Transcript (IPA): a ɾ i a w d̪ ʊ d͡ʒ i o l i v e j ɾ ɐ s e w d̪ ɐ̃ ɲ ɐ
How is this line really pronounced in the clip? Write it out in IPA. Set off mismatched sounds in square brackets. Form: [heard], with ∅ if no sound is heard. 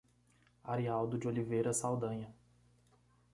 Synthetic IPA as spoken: a ɾ i a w d̪ ʊ d͡ʒ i o l i v e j ɾ ɐ s [a] w d̪ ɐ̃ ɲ ɐ